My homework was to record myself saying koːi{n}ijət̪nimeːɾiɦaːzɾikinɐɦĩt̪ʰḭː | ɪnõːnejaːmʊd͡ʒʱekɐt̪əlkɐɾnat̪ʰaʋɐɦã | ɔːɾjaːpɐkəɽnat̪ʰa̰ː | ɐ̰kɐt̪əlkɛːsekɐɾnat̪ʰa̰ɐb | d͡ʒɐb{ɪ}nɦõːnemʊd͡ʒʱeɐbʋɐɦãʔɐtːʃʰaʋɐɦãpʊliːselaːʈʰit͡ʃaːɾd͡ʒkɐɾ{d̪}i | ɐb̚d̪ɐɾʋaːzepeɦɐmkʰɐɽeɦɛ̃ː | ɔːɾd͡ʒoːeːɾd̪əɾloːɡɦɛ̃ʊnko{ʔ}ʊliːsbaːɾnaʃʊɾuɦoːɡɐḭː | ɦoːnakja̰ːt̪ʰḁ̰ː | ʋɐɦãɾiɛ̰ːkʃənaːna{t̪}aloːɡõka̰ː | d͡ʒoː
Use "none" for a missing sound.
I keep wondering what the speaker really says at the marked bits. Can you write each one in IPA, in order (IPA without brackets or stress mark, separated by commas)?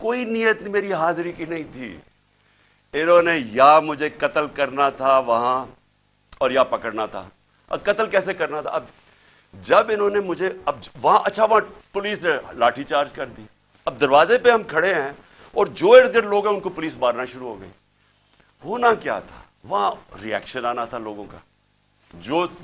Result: n, ɪ, d̪, p, t̪ʰ